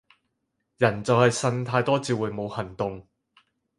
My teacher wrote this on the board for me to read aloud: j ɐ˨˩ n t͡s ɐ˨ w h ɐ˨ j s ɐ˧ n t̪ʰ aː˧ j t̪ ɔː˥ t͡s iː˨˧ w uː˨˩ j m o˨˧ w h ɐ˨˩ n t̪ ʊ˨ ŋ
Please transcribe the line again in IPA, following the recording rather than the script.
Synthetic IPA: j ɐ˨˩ n t͡s ɐ˨ w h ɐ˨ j s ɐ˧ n t̪ʰ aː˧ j t̪ ɔː˥ t͡s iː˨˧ w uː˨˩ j m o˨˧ w h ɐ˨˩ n t̪ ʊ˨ ŋ

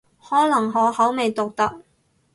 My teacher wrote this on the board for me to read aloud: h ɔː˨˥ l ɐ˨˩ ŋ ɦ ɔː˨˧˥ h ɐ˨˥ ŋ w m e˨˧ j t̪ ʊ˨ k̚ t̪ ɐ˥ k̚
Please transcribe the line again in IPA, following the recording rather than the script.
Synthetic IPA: h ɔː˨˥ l ɐ˨˩ ŋ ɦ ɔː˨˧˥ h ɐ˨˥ w m e˨˧ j t̪ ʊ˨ k̚ t̪ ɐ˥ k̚

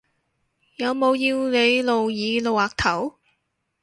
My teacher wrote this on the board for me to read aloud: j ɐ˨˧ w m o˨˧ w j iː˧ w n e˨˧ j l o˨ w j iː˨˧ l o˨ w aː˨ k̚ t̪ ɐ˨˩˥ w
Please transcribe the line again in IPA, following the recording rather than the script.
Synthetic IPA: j ɐ˨˧ w m o˨˧ w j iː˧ w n e˨˧ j l o˨ w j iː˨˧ l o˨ w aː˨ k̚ t̪ʰ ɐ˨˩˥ w

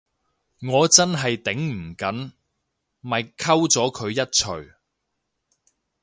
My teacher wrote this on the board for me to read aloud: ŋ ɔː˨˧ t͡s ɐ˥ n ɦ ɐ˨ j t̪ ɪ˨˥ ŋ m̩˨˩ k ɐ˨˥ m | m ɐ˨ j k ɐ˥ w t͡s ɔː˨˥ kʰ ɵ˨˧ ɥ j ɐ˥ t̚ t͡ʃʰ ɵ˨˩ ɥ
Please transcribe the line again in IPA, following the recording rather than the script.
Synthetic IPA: ŋ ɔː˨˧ t͡s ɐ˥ n ɦ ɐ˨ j t̪ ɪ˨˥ ŋ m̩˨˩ k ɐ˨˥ n | m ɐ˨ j kʰ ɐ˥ w t͡s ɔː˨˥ kʰ ɵ˨˧ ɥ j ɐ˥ t̚ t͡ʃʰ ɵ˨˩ ɥ

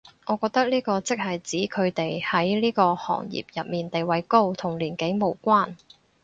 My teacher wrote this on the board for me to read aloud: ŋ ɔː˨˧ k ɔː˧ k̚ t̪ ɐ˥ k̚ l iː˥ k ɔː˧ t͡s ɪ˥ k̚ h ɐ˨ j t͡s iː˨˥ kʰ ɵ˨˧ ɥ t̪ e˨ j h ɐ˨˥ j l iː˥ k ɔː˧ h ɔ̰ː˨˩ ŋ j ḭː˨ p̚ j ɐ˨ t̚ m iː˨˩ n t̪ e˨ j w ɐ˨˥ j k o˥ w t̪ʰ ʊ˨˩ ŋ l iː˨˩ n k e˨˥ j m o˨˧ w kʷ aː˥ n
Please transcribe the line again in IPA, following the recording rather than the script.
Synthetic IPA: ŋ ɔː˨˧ k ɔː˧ k̚ t̪ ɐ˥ k̚ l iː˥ k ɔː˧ t͡s ɪ˥ k̚ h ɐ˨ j t͡s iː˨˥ kʰ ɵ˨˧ ɥ t̪ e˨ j h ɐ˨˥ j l iː˥ k ɔː˧ h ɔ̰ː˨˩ ŋ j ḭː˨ p̚ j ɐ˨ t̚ m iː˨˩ n t̪ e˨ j w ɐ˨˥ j k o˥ w t̪ʰ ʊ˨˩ ŋ l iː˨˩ n k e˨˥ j m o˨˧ w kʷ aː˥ n

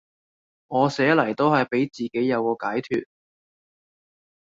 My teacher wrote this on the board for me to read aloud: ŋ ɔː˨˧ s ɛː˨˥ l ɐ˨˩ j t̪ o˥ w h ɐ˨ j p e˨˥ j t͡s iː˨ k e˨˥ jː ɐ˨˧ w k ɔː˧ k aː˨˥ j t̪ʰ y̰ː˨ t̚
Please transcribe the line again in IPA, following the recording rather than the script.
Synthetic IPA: ŋ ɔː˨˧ s ɛː˨˥ l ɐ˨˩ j t̪ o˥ w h ɐ˨ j p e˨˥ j t͡s iː˨ k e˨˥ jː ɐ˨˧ w k ɔː˧ k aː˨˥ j t̪ʰ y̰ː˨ t̚

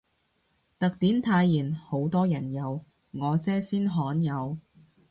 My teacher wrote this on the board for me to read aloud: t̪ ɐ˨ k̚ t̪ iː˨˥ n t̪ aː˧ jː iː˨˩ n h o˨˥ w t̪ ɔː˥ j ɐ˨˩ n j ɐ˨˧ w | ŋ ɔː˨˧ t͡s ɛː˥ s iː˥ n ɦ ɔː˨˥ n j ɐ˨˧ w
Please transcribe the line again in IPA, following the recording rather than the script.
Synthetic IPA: t̪ ɐ˨ k̚ t̪ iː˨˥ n t̪ʰ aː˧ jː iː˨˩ n h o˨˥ w t̪ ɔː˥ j ɐ˨˩ n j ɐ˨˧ w | ŋ ɔː˨˧ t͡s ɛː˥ s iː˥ n ɦ ɔː˨˥ n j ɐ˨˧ w

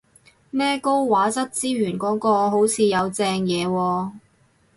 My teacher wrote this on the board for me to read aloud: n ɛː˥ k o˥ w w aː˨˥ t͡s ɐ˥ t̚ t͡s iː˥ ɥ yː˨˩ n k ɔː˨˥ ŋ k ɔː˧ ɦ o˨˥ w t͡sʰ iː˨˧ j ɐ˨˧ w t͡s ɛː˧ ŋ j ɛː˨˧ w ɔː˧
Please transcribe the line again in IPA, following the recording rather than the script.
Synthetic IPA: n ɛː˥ k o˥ w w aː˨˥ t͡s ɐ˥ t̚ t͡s iː˥ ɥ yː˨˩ n k ɔː˨˥ ŋ k ɔː˧ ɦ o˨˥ w t͡sʰ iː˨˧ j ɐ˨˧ w t͡s ɛː˧ ŋ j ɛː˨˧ w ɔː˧

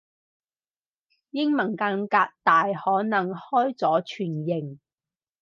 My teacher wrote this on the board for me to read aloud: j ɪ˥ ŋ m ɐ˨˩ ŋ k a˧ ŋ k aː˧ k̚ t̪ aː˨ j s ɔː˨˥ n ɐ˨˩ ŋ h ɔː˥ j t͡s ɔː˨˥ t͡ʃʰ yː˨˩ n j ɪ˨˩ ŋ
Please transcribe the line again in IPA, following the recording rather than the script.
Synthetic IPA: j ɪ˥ ŋ m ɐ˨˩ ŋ k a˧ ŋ k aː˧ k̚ t̪ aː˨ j h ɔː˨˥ n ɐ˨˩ ŋ h ɔː˥ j t͡s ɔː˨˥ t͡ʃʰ yː˨˩ n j ɪ˨˩ ŋ

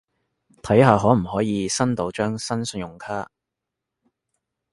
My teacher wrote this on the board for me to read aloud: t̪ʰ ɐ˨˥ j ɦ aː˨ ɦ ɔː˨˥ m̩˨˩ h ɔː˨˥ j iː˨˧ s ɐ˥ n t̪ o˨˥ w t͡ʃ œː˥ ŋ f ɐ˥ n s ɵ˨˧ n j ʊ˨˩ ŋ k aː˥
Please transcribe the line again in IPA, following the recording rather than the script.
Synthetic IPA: t̪ʰ ɐ˨˥ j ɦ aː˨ ɦ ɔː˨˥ m̩˨˩ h ɔː˨˥ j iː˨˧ s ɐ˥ n t̪ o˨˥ w t͡ʃ œː˥ ŋ s ɐ˥ n s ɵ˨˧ n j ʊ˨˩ ŋ kʰ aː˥

